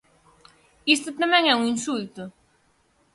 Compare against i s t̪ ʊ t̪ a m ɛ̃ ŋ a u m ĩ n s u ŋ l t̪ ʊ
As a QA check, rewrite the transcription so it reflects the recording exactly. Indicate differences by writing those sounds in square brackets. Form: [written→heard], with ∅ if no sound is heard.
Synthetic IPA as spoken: i s t̪ ʊ t̪ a m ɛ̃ ŋ [a→ɛ] u [m→ŋ] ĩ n s u [ŋ→∅] l t̪ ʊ